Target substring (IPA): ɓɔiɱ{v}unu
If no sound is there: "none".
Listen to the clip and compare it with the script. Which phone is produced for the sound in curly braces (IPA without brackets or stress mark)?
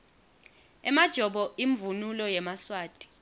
v